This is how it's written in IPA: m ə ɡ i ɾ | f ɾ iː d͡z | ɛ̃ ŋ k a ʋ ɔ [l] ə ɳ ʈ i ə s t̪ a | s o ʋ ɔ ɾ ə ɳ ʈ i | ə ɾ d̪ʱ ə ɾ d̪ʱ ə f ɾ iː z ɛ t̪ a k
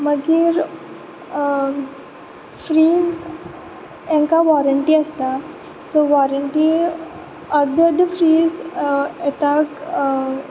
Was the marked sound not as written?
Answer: yes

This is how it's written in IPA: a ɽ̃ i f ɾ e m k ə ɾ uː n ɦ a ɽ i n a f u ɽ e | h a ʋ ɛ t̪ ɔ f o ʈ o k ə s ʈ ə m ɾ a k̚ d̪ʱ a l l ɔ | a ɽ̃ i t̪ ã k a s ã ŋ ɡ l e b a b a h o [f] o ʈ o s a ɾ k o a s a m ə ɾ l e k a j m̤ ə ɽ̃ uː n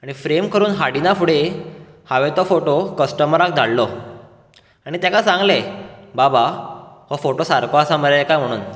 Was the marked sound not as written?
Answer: no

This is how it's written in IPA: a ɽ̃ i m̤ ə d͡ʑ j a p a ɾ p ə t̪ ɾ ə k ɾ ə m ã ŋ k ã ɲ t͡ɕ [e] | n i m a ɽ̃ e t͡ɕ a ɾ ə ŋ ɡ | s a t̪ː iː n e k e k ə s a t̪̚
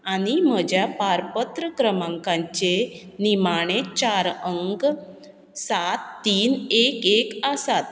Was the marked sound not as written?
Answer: no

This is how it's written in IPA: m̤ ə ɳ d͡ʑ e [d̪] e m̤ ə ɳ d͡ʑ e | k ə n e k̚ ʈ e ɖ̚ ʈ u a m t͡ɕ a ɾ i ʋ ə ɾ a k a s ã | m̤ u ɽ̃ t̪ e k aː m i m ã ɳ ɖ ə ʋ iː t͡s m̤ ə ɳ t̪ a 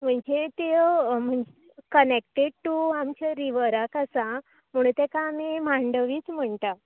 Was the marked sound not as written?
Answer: yes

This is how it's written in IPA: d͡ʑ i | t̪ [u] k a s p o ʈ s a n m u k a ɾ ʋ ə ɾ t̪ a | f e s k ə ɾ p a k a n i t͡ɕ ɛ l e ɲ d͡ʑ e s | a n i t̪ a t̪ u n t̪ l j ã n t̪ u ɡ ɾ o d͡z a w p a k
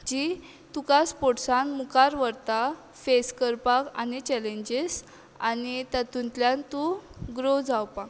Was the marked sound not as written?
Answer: no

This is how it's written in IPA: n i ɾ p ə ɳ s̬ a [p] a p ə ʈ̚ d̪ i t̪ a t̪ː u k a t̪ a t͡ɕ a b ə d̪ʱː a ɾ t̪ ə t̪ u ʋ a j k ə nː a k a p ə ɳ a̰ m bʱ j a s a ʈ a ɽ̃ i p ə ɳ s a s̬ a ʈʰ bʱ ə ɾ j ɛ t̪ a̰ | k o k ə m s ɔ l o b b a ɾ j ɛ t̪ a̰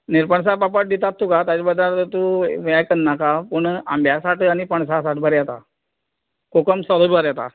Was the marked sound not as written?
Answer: no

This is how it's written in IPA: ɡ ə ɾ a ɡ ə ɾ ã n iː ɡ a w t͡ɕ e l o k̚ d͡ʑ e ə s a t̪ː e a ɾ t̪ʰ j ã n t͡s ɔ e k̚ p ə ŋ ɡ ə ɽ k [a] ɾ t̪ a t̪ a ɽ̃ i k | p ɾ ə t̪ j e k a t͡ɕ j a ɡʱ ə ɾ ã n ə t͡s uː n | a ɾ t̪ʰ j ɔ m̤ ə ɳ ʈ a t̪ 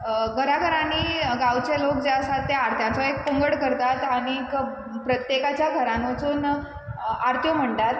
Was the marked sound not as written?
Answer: yes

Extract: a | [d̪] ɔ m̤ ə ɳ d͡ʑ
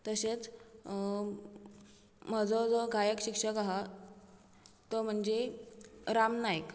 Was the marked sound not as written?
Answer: yes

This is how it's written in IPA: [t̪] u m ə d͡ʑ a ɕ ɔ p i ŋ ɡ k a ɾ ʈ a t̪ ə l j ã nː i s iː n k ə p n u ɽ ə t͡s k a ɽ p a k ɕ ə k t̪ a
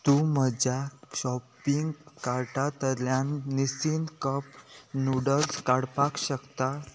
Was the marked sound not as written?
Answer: no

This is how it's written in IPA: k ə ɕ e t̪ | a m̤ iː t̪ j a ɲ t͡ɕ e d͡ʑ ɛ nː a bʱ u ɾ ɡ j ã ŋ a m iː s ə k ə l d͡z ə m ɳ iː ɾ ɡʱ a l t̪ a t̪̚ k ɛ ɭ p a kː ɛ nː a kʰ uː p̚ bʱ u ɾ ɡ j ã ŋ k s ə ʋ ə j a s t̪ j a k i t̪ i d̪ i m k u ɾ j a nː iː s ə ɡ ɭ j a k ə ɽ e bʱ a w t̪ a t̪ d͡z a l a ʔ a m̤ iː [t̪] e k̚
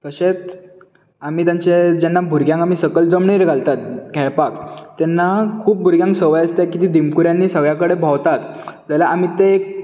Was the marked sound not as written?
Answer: no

